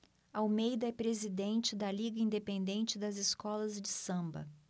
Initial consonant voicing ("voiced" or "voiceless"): voiced